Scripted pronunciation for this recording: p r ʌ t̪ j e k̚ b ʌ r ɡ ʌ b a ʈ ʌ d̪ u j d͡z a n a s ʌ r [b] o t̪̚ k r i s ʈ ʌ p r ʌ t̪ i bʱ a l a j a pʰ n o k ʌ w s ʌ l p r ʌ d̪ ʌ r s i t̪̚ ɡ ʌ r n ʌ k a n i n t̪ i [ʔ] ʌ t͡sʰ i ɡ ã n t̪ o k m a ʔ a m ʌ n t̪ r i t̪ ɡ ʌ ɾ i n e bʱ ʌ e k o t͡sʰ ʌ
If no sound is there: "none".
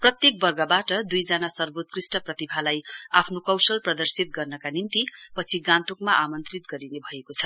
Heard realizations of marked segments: b, p

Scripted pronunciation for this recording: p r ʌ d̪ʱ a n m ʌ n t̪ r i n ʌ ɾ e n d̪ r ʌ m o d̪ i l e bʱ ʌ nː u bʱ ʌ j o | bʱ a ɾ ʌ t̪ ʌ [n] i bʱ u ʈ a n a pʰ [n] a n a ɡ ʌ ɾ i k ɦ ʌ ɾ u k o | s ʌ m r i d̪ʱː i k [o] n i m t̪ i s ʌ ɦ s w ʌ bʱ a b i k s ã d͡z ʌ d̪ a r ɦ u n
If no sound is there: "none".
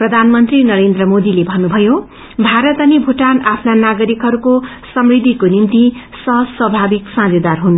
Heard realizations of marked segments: n, n, o

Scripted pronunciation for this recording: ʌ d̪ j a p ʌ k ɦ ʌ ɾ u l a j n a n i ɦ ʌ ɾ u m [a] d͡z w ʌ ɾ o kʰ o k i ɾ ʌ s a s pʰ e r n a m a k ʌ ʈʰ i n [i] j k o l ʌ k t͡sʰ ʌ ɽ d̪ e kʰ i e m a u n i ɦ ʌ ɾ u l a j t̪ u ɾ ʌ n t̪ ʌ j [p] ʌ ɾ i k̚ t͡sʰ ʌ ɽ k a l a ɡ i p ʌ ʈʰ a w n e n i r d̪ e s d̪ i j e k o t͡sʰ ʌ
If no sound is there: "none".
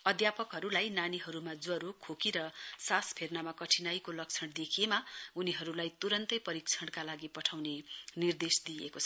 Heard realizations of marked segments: a, a, p

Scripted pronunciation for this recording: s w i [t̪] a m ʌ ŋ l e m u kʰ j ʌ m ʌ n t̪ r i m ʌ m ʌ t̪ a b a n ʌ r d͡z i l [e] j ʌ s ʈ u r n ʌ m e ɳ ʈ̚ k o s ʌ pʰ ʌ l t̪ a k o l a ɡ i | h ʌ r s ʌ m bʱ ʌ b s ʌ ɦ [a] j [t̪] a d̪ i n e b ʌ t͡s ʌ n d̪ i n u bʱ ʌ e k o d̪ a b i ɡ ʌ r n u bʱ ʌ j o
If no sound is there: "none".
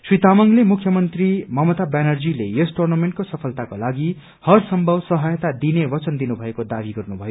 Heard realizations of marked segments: t̪, e, ʌ, t̪

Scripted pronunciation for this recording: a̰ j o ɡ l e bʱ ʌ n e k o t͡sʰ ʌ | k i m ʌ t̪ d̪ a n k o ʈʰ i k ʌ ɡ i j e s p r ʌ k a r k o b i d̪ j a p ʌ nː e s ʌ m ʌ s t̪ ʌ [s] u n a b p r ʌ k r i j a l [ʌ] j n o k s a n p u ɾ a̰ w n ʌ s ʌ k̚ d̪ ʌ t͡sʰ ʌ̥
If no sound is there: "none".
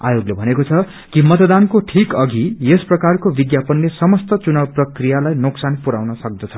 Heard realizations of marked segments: t͡s, a

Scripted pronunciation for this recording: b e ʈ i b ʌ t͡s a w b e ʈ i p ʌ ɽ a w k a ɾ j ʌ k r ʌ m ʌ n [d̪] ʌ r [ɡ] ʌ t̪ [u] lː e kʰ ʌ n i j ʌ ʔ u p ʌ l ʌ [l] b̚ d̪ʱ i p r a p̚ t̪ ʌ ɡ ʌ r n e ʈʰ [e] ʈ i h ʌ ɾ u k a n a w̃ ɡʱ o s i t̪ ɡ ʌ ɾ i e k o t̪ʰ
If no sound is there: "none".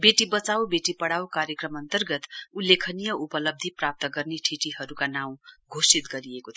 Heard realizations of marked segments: t̪, ɡ, u, none, i

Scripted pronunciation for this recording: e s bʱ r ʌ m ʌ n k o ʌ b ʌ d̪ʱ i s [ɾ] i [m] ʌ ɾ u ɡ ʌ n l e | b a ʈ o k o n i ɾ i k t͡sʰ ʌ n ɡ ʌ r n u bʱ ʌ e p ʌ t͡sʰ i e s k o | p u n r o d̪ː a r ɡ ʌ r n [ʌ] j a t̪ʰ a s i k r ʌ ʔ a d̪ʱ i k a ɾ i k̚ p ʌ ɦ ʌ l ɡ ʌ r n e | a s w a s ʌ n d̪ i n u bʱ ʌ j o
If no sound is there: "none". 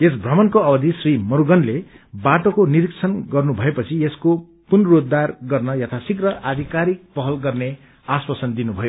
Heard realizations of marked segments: r, m, ʌ

